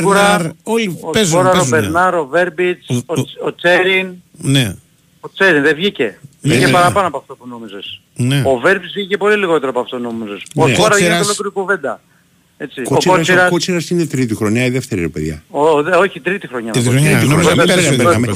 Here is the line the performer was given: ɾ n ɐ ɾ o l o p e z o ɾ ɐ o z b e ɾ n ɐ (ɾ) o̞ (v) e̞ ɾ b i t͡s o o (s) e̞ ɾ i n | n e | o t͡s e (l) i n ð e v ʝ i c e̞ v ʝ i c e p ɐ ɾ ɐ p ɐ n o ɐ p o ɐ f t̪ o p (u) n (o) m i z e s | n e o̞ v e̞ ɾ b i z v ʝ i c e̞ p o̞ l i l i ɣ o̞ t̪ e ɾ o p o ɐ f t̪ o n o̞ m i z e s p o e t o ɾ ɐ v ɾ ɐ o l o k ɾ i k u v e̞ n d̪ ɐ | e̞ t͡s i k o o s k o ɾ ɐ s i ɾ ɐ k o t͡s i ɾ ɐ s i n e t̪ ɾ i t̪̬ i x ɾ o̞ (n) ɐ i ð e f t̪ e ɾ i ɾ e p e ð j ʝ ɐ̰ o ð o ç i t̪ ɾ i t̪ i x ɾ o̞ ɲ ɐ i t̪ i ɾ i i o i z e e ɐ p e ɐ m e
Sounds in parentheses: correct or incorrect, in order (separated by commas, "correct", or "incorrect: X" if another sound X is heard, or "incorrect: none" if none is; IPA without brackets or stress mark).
correct, correct, incorrect: t͡s, incorrect: ɾ, correct, correct, incorrect: ɲ